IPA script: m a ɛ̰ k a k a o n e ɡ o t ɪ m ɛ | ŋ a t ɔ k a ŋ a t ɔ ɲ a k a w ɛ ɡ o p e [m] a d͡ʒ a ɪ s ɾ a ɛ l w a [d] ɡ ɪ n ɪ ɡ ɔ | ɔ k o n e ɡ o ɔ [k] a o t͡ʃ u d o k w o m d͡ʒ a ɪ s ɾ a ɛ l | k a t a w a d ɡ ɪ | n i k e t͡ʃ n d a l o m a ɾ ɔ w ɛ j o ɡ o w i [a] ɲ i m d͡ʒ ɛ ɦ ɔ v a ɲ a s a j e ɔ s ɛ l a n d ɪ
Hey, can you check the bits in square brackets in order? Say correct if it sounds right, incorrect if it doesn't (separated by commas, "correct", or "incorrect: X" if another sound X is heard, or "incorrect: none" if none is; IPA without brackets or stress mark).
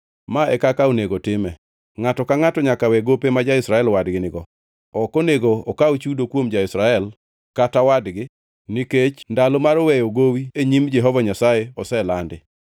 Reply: correct, correct, correct, incorrect: e